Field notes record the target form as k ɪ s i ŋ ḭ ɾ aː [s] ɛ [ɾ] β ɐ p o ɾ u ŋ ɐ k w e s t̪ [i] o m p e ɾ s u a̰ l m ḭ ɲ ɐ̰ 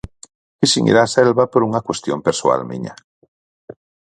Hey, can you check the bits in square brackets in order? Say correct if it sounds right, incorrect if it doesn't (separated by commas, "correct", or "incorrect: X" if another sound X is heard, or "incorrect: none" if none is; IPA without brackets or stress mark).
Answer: correct, incorrect: l, incorrect: j